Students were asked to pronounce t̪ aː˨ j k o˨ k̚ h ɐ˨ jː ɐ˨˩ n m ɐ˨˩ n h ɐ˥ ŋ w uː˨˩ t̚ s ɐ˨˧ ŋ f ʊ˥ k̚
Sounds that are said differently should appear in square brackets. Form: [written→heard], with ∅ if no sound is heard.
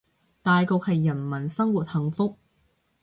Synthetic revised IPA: t̪ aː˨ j k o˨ k̚ h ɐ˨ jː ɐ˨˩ n m ɐ˨˩ n [h→s] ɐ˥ ŋ w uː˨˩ t̚ [s→h] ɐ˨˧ ŋ f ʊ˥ k̚